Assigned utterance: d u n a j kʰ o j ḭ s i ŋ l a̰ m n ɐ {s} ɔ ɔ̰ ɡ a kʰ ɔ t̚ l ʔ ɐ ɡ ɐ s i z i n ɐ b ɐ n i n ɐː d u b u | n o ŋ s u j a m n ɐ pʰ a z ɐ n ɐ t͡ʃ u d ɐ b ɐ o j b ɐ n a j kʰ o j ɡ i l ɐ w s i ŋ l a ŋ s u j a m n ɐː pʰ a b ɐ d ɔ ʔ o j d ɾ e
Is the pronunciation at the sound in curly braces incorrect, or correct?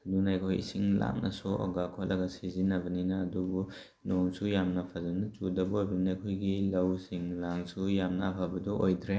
correct